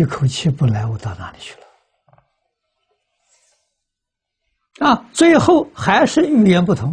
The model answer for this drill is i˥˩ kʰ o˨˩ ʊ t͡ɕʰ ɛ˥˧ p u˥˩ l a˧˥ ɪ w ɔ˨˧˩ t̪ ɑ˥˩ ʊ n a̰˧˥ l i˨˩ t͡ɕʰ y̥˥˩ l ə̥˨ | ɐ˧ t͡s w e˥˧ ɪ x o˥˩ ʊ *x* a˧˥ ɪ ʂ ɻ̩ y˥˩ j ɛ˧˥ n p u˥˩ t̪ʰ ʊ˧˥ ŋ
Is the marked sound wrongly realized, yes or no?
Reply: no